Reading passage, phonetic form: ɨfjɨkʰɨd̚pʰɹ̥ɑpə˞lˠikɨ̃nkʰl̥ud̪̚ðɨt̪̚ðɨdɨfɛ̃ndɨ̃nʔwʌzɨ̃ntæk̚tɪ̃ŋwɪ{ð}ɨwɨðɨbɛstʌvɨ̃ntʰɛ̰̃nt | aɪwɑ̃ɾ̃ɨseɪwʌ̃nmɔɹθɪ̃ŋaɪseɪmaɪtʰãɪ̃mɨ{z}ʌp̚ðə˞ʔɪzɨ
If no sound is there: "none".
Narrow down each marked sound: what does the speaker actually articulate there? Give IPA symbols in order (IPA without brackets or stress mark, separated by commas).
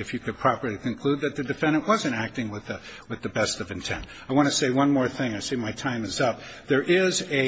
ð, z